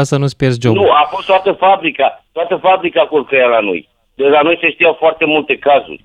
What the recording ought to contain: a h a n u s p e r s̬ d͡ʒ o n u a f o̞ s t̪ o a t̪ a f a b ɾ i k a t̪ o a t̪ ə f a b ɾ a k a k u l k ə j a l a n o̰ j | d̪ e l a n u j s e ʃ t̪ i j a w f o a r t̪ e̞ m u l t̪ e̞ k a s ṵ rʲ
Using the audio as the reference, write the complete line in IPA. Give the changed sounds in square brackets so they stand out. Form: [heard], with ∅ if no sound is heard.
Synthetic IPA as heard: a [s] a n u s p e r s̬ d͡ʒ o n u a f o̞ s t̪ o a t̪ [ə] f a b ɾ i k a t̪ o a t̪ ə f a b ɾ [i] k a k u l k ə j a l a n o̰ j | d̪ e l a n [o] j s e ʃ t̪ i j a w f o a r t̪ e̞ m u l t̪ e̞ k a [z] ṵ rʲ